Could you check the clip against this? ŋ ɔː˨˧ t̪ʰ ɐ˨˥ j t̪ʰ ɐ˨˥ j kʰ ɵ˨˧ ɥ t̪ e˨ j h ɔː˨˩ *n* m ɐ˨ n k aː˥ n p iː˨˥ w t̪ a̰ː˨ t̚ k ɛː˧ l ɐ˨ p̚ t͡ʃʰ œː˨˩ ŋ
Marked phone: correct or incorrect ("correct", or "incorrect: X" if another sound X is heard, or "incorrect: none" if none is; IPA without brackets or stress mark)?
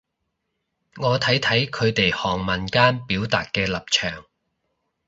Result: incorrect: ŋ